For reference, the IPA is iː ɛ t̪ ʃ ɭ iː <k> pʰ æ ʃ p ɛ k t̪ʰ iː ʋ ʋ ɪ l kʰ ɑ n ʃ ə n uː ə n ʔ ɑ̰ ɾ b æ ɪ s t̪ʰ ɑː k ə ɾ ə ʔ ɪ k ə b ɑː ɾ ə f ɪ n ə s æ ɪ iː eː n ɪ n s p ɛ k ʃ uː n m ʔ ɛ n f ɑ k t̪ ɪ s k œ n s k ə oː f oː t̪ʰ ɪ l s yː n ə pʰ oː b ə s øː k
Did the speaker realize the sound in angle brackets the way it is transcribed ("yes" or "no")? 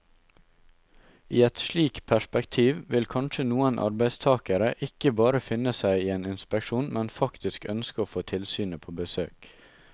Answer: yes